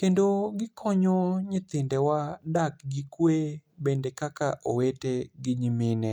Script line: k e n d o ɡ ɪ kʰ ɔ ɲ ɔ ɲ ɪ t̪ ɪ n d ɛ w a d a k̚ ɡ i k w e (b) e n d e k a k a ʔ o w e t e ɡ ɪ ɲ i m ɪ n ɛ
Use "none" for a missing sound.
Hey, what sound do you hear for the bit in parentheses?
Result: b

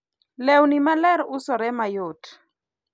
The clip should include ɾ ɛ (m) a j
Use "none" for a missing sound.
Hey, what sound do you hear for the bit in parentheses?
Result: m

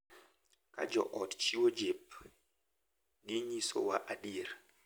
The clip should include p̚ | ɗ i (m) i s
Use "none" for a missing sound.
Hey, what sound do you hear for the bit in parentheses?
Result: ɲ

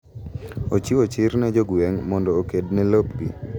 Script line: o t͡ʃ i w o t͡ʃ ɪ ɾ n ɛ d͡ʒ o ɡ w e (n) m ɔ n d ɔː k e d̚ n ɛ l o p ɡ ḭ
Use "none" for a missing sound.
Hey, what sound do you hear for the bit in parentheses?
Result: ŋ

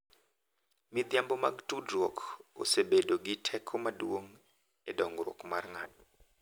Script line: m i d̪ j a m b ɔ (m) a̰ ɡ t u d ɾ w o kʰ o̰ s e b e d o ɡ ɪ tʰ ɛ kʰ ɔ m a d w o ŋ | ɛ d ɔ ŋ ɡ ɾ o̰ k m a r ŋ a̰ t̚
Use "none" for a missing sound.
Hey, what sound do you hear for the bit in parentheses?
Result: m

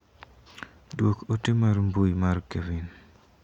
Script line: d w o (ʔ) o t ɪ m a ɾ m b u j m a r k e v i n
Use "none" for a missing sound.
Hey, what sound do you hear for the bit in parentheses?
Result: k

